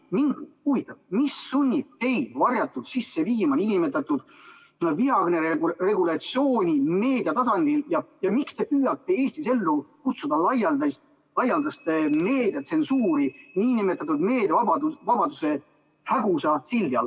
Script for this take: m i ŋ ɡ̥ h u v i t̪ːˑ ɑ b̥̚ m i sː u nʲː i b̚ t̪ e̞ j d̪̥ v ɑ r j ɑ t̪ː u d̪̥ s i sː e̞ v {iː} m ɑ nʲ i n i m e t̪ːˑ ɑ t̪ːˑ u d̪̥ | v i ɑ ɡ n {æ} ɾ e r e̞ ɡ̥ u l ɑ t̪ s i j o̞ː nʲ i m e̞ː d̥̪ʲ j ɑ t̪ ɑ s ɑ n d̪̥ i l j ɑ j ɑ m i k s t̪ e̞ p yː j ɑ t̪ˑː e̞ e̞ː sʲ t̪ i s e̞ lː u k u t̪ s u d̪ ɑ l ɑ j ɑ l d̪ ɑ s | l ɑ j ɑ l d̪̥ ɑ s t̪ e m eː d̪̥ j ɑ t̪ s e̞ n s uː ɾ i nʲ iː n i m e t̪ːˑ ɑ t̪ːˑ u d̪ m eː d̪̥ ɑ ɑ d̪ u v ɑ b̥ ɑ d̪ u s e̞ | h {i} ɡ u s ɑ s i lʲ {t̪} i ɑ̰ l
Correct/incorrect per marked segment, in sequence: correct, incorrect: e, incorrect: æ, incorrect: d̪

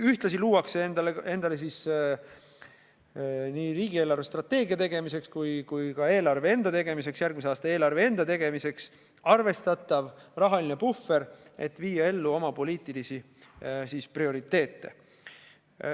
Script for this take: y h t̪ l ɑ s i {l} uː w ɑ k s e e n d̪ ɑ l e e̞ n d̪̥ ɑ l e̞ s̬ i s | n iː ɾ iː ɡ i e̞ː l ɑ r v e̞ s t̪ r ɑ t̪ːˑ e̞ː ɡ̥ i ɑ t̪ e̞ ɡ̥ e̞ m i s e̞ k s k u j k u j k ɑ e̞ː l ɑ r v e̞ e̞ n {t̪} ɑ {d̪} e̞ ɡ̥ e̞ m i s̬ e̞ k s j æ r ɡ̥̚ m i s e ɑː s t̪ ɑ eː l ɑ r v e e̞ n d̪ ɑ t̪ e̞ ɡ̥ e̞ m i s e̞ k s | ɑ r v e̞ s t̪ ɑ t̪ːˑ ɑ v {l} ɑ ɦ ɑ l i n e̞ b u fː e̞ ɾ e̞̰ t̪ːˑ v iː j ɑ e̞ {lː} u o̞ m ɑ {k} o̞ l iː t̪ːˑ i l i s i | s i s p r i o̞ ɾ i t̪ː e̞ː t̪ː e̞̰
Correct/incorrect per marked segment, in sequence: correct, incorrect: d̪, incorrect: t̪, incorrect: r, correct, incorrect: p

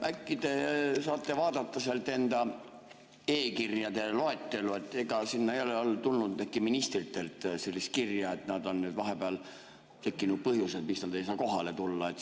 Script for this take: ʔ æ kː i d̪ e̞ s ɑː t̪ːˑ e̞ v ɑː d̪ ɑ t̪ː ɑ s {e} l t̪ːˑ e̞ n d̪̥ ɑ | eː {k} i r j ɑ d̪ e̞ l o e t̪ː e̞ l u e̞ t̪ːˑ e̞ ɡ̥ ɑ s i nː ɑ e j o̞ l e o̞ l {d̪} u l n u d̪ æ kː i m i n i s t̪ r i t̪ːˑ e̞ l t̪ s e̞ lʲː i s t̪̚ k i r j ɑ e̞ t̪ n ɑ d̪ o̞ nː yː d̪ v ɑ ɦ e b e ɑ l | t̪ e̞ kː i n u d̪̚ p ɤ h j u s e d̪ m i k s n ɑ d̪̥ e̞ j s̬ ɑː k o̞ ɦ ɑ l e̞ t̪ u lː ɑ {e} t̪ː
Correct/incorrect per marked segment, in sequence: correct, correct, incorrect: t̪, correct

